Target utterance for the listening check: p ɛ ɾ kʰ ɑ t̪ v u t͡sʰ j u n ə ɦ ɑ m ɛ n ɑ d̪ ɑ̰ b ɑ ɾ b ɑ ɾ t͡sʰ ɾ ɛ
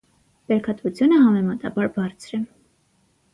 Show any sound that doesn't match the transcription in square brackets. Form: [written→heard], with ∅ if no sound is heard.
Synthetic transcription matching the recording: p ɛ ɾ kʰ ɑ t̪ v u t͡sʰ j u n ə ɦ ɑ m ɛ [n→m] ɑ [d̪→t̪] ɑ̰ b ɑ ɾ b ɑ ɾ t͡sʰ ɾ ɛ